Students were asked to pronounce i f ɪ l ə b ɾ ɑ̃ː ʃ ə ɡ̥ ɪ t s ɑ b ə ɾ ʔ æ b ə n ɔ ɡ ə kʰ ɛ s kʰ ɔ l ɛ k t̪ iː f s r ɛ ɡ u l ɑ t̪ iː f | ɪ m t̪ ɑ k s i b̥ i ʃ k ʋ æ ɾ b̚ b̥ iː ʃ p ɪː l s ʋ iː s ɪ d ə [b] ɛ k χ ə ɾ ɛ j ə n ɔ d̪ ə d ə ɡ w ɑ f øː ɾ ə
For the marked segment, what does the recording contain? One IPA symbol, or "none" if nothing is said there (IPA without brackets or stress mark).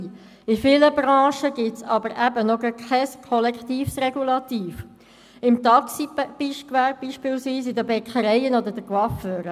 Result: b